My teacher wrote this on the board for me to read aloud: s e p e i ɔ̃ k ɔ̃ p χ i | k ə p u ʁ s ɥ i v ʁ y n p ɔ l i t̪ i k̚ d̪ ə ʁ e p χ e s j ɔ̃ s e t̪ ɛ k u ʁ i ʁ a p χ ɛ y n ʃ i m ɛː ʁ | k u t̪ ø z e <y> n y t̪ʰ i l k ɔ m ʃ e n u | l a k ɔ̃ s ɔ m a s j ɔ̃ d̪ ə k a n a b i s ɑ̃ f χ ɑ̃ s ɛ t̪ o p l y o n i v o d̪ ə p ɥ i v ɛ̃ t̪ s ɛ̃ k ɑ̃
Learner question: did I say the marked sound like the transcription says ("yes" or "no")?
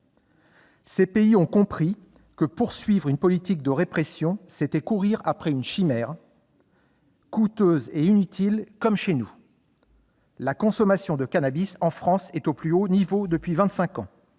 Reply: no